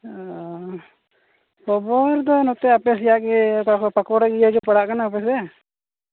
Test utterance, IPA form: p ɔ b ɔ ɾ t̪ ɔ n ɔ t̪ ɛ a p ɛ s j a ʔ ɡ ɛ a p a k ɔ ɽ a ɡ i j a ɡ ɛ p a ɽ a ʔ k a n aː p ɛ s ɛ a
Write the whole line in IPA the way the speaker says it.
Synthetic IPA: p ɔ b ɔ ɾ d̪ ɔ n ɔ t̪ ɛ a p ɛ s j a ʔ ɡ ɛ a p a k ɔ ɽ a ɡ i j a ɡ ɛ p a ɽ a ʔ k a n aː p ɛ s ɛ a